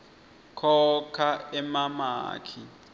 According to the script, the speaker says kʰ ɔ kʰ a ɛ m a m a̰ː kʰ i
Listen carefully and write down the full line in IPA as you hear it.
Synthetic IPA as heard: kʰ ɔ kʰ a ɛ m a m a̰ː kʰ i